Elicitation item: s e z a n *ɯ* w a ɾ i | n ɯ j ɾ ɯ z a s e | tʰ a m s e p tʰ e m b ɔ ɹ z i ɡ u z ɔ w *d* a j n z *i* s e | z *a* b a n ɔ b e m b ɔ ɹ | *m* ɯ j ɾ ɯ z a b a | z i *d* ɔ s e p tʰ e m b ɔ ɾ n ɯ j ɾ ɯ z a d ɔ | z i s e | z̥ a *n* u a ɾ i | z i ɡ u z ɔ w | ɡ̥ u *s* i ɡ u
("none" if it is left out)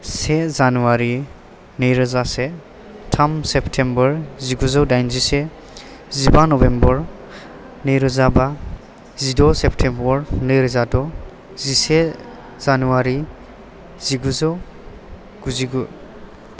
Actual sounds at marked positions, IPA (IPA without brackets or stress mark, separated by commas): u, d, i, i, n, d, n, z